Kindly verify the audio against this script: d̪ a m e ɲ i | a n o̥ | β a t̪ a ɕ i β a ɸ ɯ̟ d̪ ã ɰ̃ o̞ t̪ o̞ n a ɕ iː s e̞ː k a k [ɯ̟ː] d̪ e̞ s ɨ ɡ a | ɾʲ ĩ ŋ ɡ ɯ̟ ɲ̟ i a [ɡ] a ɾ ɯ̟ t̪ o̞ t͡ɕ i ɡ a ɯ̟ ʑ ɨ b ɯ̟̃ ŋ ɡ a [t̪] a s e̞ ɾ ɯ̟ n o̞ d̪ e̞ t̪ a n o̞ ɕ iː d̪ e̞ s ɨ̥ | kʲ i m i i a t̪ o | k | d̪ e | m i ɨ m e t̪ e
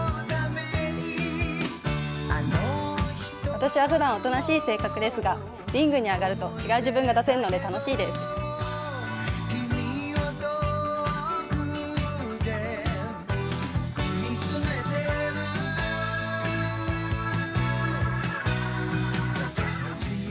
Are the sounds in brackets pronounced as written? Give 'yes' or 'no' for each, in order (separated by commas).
no, yes, no